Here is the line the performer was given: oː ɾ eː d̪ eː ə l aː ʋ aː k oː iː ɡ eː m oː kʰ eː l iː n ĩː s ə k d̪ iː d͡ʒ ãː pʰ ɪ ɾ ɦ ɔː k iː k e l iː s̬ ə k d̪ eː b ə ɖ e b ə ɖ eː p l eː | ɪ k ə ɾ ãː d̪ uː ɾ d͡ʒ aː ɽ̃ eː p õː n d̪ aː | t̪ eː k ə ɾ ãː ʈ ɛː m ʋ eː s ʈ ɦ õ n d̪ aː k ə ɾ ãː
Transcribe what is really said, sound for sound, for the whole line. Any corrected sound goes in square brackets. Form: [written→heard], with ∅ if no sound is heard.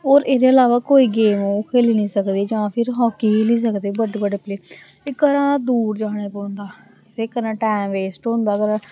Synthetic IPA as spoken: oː ɾ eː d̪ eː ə l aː ʋ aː k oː iː ɡ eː m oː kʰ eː l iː n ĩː s ə k d̪ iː d͡ʒ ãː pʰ ɪ ɾ ɦ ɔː k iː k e l iː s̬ ə k d̪ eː b ə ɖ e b ə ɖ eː p l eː | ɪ k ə ɾ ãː d̪ uː ɾ d͡ʒ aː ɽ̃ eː p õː n d̪ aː | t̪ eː k ə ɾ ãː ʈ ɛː m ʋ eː s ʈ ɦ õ n d̪ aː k ə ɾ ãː